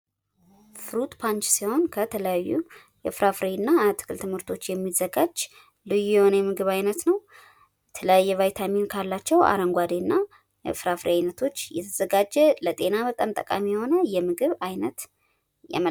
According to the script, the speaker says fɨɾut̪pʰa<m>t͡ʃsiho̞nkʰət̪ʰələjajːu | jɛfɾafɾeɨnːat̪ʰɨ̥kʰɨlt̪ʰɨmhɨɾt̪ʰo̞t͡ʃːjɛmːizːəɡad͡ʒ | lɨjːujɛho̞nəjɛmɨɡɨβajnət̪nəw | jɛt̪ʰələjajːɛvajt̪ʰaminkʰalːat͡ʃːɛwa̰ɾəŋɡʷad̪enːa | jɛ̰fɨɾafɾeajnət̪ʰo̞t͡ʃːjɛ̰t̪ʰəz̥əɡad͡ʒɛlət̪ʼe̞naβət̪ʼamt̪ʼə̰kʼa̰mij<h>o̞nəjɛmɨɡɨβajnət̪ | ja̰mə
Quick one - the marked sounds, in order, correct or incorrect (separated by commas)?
incorrect, correct